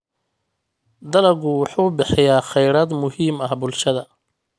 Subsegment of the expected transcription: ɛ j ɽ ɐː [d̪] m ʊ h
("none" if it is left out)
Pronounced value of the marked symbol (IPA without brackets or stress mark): d̪